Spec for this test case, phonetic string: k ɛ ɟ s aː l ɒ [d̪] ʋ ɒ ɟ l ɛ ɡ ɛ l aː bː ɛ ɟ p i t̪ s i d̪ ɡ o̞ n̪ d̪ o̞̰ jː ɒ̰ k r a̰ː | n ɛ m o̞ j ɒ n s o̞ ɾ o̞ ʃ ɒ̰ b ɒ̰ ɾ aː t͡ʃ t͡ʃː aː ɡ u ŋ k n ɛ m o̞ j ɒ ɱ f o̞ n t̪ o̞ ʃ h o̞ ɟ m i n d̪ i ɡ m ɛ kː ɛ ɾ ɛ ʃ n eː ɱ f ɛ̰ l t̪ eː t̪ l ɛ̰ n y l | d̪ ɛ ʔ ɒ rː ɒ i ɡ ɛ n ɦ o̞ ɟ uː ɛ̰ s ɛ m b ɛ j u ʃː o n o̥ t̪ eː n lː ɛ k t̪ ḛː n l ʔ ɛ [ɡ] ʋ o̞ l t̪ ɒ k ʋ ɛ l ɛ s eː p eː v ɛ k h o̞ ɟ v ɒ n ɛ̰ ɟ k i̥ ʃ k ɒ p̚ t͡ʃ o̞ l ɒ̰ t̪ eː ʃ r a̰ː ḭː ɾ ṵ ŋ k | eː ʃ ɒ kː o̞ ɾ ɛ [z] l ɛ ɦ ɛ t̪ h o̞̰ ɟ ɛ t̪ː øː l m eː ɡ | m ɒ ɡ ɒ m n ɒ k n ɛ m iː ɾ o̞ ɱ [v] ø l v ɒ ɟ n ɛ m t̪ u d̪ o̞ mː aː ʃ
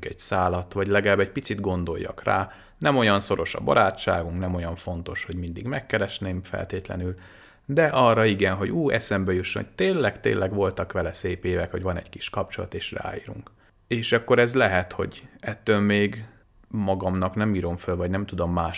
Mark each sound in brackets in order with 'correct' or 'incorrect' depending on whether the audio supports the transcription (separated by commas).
incorrect, correct, correct, incorrect